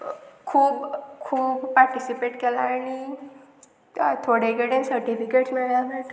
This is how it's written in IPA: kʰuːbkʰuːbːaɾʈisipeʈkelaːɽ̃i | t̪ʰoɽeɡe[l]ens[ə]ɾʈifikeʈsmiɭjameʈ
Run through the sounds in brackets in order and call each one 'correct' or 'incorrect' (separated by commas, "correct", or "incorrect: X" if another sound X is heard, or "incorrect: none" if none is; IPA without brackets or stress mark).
incorrect: ɽ, correct